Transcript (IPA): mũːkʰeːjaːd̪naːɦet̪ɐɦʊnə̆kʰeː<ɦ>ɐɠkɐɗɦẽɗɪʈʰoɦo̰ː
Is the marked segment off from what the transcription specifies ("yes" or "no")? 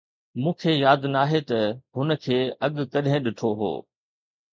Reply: yes